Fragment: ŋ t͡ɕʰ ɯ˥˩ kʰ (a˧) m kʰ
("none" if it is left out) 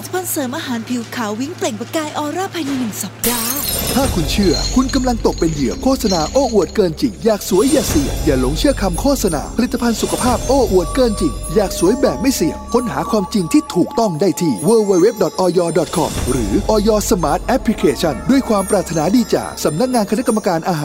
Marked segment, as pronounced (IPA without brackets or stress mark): a˧